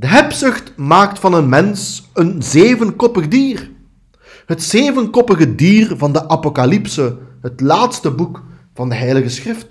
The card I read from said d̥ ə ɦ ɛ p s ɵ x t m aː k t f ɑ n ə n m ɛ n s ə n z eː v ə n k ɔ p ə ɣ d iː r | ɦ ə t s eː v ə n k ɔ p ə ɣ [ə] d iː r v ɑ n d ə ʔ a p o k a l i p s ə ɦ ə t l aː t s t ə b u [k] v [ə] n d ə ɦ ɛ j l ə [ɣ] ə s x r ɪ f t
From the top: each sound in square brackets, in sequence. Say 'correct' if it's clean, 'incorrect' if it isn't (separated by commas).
correct, correct, incorrect, correct